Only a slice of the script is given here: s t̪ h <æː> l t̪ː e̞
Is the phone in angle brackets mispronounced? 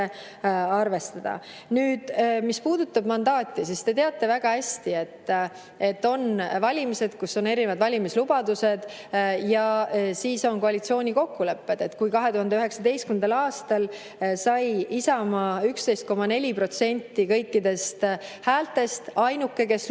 no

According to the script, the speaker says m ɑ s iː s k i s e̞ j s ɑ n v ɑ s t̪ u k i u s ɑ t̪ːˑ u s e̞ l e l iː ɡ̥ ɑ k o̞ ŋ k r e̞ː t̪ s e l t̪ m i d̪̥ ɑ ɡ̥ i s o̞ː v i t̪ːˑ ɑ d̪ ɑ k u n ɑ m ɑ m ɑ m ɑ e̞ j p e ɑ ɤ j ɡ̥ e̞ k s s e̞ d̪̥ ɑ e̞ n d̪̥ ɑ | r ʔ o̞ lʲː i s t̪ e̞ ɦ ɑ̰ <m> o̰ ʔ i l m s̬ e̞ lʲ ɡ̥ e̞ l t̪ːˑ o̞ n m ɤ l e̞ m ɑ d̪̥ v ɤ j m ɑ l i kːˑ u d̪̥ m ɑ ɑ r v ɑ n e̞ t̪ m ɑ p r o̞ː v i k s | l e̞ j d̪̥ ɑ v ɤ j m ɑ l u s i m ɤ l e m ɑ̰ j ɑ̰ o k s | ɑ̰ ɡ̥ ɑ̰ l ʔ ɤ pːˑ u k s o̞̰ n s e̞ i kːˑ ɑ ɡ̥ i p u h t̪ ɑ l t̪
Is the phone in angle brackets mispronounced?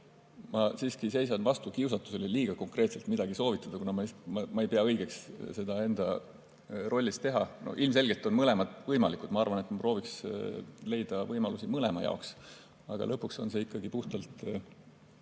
yes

